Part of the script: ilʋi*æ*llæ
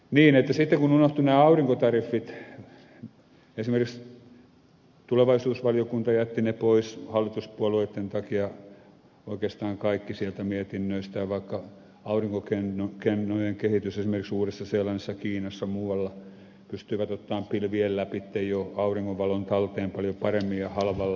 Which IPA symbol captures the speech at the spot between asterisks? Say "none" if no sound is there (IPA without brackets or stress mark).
e